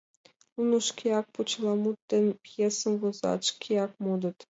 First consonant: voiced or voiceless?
voiced